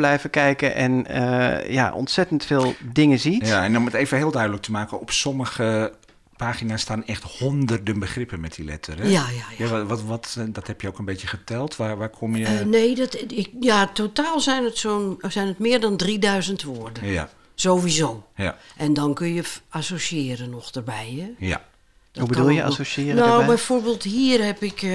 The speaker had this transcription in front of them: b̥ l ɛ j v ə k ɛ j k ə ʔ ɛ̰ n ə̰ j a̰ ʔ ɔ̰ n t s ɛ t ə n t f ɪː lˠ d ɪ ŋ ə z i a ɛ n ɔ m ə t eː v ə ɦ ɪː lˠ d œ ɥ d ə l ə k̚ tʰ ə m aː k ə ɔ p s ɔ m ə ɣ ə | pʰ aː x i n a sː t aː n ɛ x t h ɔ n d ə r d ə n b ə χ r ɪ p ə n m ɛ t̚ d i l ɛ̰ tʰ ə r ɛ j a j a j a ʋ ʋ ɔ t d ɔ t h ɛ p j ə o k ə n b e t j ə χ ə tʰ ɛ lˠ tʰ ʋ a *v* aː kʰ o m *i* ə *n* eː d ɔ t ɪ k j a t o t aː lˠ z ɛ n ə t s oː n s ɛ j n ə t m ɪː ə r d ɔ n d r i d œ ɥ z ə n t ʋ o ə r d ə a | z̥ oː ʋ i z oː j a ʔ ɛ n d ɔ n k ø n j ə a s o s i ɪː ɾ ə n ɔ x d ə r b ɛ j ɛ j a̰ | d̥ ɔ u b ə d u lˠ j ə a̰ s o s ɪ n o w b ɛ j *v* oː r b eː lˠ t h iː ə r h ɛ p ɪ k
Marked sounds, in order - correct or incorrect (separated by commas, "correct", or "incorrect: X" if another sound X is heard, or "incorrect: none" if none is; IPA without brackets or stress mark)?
incorrect: ʋ, incorrect: j, correct, incorrect: f